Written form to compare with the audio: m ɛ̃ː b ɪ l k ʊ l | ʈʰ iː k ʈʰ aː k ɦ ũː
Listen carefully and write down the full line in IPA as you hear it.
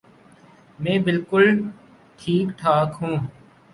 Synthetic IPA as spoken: m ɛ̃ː b ɪ l k ʊ l | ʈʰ iː k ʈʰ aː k ɦ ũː